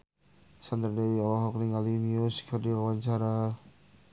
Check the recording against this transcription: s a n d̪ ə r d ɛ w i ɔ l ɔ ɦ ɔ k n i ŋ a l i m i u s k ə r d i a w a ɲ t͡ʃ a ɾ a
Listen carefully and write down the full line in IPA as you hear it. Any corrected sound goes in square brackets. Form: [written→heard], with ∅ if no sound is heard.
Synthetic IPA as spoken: s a n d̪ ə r d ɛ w i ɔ l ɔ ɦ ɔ k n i ŋ a l i m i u s k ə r d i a w a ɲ t͡ʃ a ɾ a